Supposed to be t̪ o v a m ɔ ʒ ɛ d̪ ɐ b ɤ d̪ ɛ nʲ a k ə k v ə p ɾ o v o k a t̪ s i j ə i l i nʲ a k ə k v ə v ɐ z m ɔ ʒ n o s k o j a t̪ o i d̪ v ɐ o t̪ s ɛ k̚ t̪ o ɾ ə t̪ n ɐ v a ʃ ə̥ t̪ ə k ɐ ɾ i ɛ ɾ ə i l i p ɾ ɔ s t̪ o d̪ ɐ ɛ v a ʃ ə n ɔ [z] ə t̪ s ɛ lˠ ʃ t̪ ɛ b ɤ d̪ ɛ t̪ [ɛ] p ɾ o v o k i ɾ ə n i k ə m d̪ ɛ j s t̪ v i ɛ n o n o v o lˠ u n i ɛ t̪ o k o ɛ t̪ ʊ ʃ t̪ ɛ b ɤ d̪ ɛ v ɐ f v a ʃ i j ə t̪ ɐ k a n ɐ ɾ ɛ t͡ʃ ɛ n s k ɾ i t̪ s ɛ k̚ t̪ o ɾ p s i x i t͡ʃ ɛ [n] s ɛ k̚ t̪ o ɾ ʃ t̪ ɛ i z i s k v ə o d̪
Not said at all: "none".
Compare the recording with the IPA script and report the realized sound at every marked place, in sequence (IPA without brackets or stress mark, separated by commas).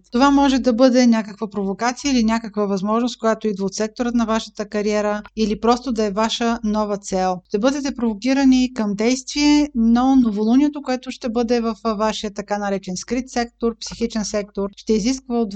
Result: v, ɛ, n